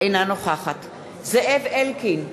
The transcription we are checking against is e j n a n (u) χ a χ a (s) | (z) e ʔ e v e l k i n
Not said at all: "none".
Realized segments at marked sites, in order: o, t, z

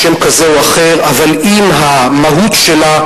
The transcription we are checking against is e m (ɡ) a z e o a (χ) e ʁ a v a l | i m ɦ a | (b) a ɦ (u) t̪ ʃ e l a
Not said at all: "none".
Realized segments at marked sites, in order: k, χ, m, u

